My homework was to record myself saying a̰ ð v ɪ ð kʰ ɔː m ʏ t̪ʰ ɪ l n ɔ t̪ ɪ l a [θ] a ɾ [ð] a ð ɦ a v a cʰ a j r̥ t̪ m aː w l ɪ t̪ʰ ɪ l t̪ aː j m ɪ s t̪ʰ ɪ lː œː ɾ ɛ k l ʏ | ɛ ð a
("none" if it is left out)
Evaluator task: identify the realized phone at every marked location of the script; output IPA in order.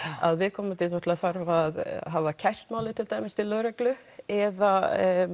θ, v

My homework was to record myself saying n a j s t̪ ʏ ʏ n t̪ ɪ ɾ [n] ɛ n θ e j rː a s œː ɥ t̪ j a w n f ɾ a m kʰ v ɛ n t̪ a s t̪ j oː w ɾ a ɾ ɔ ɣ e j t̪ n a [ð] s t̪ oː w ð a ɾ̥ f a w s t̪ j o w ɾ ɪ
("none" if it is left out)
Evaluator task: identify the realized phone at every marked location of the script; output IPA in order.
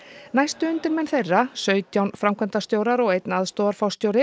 m, ð

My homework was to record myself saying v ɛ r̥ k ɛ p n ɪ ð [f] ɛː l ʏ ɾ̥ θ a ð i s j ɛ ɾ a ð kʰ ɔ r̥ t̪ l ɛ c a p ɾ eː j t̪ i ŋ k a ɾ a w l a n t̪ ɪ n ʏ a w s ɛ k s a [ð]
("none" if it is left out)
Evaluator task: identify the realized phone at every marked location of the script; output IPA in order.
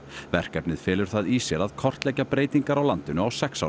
f, none

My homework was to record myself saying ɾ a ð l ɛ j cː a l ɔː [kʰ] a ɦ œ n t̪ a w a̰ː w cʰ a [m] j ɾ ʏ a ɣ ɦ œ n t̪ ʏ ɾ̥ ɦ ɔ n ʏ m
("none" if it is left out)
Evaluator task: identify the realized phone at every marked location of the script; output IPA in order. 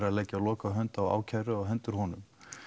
k, none

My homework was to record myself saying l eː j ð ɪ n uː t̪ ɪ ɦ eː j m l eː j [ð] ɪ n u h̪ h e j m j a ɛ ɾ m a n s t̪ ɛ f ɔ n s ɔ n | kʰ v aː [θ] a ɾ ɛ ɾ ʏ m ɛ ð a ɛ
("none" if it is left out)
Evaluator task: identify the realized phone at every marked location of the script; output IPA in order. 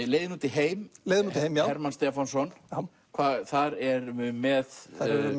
ð, θ

